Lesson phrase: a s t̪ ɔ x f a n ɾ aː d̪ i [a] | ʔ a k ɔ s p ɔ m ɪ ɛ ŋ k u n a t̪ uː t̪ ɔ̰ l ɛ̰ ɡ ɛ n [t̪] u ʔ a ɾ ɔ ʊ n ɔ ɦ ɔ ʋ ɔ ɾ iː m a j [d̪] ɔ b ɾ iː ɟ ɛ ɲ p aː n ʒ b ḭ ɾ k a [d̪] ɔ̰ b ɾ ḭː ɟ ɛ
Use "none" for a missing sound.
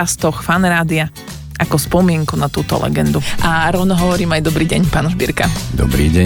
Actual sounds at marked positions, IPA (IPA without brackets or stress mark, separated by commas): a, d̪, d̪, d̪